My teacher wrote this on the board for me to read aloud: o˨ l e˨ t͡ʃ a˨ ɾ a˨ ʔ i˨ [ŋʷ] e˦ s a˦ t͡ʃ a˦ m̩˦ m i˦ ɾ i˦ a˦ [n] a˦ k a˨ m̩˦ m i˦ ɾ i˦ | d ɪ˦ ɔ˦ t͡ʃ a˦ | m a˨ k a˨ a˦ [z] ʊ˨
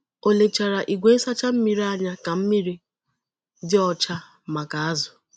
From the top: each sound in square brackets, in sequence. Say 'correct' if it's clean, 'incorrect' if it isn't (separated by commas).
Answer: incorrect, incorrect, correct